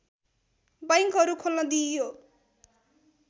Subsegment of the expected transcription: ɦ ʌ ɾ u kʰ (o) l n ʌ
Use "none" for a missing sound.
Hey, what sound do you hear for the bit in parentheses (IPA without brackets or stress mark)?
o